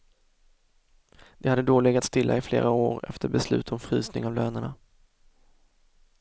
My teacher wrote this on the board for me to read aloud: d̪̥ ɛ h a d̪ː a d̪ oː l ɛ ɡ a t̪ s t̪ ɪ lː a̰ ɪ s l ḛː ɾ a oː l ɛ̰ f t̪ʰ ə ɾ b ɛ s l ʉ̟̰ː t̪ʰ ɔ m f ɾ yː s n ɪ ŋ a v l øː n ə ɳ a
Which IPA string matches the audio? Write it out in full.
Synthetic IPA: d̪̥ ɛ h a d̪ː ə d̪ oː l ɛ ɡ a t̪ s t̪ ɪ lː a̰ ɪ f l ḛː ɾ a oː ɾ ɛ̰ f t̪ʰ ə ɾ b ɛ s l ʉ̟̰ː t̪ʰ ɔ m f ɾ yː s n ɪ ŋ a v l øː n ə ɳ a